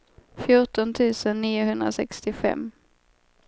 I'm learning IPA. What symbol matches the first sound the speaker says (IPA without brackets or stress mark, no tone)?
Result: f